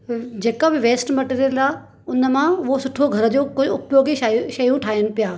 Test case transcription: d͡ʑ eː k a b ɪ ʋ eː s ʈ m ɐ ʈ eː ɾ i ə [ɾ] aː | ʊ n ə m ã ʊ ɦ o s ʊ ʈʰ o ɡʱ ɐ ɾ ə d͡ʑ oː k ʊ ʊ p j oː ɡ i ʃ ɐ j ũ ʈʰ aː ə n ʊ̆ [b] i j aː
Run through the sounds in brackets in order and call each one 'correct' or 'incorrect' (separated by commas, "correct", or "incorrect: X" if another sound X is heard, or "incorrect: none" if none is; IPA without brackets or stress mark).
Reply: incorrect: l, incorrect: p